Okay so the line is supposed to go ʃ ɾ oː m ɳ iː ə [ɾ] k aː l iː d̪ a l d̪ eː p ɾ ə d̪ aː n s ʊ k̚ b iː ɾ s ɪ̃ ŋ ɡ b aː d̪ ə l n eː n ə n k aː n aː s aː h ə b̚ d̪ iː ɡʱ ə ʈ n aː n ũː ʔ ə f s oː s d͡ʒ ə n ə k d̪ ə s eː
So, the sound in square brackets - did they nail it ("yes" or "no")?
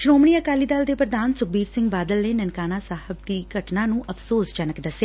no